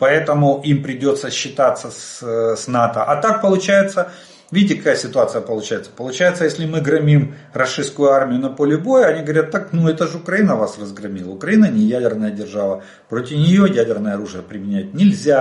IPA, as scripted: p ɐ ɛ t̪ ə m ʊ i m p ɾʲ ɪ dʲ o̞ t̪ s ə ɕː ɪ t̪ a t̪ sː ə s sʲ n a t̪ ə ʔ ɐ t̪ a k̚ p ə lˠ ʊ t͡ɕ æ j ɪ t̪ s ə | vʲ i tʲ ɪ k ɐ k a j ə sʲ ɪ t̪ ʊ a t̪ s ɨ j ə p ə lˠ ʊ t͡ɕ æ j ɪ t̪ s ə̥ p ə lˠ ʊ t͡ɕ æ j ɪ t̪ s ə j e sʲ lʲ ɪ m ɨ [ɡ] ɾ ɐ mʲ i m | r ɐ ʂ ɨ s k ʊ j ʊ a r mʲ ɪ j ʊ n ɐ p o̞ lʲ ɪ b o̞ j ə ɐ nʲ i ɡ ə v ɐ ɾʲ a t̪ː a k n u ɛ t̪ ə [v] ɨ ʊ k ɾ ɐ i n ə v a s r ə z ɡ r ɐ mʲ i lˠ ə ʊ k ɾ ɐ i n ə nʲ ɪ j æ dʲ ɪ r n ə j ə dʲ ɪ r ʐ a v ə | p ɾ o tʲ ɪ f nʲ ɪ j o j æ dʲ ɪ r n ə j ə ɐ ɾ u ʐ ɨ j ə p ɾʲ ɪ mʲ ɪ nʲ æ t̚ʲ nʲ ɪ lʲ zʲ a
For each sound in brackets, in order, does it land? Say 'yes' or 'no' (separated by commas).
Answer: yes, no